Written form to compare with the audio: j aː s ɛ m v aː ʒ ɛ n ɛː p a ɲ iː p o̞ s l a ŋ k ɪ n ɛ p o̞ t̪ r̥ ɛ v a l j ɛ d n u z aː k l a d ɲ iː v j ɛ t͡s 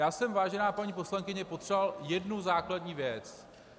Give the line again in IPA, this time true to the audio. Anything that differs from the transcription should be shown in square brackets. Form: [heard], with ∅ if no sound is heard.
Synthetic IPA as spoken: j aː s ɛ m v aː ʒ ɛ n [aː] p a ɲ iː p o̞ s l a ŋ k ɪ [ɲ] ɛ p o̞ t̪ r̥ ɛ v a l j ɛ d n u z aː k l a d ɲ iː v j ɛ t͡s